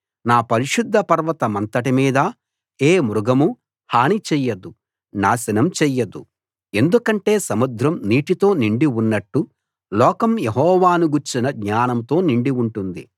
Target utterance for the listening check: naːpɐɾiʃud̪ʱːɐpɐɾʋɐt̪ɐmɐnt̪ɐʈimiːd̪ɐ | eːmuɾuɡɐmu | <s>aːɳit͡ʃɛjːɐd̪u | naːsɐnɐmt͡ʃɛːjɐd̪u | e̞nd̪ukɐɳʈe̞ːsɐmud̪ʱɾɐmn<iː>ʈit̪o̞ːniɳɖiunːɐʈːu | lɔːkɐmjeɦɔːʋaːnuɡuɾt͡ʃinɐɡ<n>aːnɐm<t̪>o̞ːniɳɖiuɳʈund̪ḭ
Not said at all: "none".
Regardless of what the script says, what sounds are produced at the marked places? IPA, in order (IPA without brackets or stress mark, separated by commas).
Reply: h, iː, ɲ, t̪